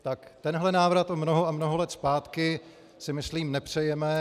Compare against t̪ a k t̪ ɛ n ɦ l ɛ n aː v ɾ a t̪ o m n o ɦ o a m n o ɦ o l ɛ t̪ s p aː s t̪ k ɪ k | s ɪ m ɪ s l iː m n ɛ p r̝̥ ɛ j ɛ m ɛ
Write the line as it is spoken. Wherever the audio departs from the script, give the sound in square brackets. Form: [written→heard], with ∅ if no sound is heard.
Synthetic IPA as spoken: t̪ a k t̪ ɛ n ɦ l ɛ n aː v ɾ a t̪ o m n o ɦ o a m n o ɦ o l ɛ t̪ s p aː [s→∅] t̪ k ɪ [k→∅] | s ɪ m ɪ s l iː m n ɛ p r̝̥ ɛ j ɛ m ɛ

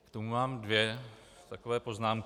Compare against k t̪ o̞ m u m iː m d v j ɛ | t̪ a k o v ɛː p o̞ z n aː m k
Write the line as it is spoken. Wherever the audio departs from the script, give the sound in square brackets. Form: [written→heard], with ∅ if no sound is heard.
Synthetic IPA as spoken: k t̪ o̞ m u m [iː→aː] m d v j ɛ | t̪ a k o v ɛː p o̞ z n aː m k

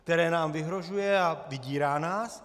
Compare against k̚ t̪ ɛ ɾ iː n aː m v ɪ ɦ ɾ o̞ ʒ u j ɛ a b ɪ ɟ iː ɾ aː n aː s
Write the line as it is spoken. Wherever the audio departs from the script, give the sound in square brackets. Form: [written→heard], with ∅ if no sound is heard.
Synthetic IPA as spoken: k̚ t̪ ɛ ɾ [iː→ɛː] n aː m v ɪ ɦ ɾ o̞ ʒ u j ɛ a [b→v] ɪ ɟ iː ɾ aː n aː s

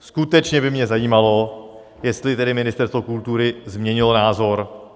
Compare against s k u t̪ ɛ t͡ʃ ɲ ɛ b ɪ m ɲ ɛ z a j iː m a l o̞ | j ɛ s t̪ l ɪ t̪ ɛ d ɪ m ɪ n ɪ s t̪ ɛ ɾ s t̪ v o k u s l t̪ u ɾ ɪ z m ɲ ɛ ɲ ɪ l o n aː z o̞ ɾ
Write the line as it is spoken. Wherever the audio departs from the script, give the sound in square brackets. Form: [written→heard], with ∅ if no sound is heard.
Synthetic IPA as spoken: s k u t̪ ɛ t͡ʃ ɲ ɛ b ɪ m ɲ ɛ z a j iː m a l o̞ | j ɛ s t̪ l ɪ t̪ ɛ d ɪ m ɪ n ɪ s t̪ ɛ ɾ s t̪ v o k u [s→∅] l t̪ u ɾ ɪ z m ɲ ɛ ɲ ɪ l o n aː z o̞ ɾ

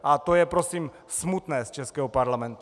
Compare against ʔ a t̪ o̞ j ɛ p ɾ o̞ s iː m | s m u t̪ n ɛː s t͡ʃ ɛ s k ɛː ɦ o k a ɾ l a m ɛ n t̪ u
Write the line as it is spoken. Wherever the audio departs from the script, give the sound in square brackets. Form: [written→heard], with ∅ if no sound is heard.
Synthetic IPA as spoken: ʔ a t̪ o̞ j ɛ p ɾ o̞ s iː m | s m u t̪ n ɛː s t͡ʃ ɛ s k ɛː ɦ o [k→p] a ɾ l a m ɛ n t̪ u

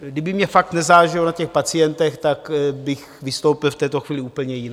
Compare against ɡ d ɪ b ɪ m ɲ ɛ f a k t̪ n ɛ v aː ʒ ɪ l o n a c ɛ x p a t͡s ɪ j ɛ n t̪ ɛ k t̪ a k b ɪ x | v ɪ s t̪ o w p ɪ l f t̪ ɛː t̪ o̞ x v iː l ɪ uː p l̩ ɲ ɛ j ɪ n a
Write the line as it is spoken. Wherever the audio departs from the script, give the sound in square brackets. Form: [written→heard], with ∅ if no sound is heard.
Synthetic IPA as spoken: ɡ d ɪ b ɪ m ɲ ɛ f a k t̪ n ɛ [v→z] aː ʒ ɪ l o n a c ɛ x p a t͡s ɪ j ɛ n t̪ ɛ [k→x] t̪ a k b ɪ x | v ɪ s t̪ o w p ɪ l f t̪ ɛː t̪ o̞ x v iː l ɪ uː p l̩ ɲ ɛ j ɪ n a

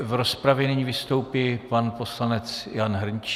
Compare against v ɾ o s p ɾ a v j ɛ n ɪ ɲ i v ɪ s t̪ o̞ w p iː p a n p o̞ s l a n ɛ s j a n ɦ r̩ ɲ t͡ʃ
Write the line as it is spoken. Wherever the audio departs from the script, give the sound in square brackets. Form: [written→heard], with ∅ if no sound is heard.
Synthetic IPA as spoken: v ɾ o s p ɾ a v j ɛ n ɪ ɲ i v ɪ s t̪ o̞ w p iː p a n p o̞ s l a n ɛ [s→t͡s] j a n ɦ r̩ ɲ t͡ʃ

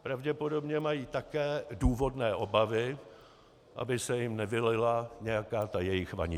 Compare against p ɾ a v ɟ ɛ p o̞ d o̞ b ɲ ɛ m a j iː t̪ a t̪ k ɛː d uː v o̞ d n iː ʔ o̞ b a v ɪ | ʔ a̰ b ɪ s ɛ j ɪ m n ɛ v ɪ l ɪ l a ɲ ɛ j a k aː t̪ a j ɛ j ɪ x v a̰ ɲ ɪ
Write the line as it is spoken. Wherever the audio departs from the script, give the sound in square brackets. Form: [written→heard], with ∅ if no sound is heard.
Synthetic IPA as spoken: p ɾ a v ɟ ɛ p o̞ d o̞ b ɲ ɛ m a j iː t̪ a [t̪→∅] k ɛː d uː v o̞ d n [iː→ɛː] ʔ o̞ b a v ɪ | ʔ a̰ b ɪ s ɛ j ɪ m n ɛ v ɪ l ɪ l a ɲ ɛ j a k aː t̪ a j ɛ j ɪ x v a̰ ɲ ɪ

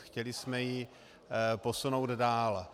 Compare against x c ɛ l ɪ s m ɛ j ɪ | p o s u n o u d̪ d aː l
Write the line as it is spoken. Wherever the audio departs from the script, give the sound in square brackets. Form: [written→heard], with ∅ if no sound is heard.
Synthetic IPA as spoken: x c ɛ l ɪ s m ɛ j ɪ | p o s u n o [u→w] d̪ d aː l

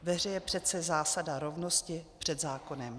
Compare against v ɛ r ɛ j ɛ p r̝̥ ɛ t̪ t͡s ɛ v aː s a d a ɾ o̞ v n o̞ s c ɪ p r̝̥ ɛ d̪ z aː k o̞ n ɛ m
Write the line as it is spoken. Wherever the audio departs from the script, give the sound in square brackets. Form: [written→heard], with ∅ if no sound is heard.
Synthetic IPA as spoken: v ɛ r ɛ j ɛ p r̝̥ ɛ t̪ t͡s ɛ [v→z] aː s a d a ɾ o̞ v n o̞ s c ɪ p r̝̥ ɛ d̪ z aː k o̞ n ɛ m

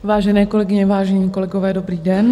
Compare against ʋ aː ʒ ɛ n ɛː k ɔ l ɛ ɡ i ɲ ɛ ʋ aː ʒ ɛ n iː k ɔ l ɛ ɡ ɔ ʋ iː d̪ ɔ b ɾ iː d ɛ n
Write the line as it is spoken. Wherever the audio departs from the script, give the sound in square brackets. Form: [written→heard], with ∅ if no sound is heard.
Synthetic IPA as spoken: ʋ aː ʒ ɛ n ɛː k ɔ l ɛ ɡ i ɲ ɛ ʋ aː ʒ ɛ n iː k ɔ l ɛ ɡ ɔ ʋ [iː→ɛː] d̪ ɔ b ɾ iː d ɛ n

